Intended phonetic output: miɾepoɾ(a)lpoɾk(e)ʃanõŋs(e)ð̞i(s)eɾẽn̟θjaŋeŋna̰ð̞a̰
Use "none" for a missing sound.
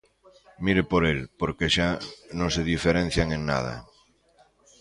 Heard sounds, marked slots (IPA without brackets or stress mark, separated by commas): e, e, e, f